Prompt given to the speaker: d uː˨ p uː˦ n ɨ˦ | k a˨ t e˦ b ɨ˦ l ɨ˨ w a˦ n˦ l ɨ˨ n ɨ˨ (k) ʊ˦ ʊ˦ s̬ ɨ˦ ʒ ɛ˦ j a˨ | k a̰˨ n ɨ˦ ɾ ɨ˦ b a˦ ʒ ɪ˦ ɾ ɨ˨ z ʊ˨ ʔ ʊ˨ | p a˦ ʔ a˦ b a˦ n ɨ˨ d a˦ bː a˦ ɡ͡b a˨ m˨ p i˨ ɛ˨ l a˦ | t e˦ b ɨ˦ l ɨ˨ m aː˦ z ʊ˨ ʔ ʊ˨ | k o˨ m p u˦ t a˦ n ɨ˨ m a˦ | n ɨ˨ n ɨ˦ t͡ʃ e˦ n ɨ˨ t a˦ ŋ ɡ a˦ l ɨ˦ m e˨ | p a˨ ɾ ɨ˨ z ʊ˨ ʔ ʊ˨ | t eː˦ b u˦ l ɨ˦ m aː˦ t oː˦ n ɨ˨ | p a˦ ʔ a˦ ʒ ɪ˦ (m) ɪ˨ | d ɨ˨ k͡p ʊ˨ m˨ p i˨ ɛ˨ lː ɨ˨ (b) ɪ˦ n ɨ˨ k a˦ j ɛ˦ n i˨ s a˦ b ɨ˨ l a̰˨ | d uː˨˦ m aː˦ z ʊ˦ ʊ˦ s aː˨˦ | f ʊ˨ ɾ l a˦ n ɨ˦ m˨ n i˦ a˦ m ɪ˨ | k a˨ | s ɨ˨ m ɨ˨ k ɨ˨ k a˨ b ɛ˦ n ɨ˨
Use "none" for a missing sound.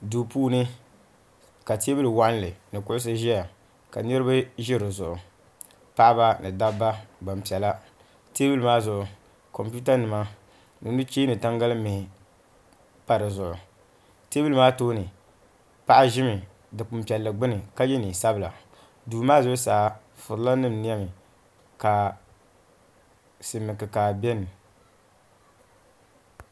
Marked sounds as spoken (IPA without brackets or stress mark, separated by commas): k, m, ɡ͡b